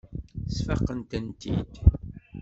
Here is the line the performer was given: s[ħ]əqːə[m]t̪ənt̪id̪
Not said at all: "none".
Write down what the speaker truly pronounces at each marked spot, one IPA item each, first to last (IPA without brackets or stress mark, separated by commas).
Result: f, n